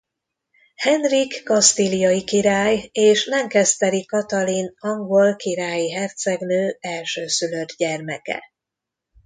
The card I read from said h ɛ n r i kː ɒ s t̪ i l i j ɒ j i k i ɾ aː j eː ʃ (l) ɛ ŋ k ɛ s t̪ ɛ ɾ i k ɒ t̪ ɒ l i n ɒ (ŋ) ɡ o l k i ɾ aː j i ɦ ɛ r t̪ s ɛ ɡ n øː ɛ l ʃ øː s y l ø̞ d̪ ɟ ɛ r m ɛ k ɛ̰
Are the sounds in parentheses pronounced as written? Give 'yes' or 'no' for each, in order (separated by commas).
yes, yes